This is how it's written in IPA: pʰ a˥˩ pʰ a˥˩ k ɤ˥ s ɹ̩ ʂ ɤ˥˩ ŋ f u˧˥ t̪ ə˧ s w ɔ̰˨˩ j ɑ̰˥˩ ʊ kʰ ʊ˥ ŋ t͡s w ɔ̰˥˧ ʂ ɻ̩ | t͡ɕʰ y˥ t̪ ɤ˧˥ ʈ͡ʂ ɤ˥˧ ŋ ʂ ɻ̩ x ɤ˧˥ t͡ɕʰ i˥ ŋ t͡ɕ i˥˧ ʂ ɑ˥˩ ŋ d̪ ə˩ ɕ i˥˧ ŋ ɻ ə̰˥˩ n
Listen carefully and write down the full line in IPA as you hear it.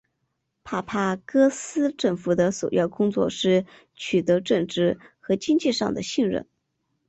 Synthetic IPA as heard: pʰ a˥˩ pʰ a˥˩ k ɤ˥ s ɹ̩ ʈ͡ʂ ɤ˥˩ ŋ f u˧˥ d̪ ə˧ s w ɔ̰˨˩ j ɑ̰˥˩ ʊ k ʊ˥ ŋ t͡s w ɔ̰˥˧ ʂ ɻ̩ | t͡ɕʰ y˨˩ t̪ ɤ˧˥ ʈ͡ʂ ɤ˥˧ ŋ ʈ͡ʂ ɻ̩ x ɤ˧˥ t͡ɕ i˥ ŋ t͡ɕ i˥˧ ʂ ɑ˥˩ ŋ d̪ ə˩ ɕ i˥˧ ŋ ɻ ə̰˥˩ n